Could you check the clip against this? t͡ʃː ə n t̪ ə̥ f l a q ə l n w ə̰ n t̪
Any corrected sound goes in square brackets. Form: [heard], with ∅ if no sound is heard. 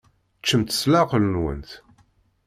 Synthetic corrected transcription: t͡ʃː ə [m] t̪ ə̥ [s] l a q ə l n w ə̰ n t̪